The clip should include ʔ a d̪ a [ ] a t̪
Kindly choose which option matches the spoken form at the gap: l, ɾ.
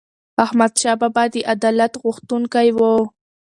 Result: l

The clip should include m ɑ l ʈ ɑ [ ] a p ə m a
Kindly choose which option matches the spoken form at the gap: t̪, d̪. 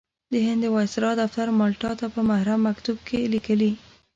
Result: t̪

